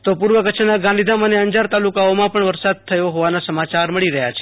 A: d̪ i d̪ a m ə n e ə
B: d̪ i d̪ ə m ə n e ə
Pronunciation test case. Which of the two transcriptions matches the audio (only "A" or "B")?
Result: A